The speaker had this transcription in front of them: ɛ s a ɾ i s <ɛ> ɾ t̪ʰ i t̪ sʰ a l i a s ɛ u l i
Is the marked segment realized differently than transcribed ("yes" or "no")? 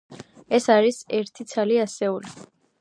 no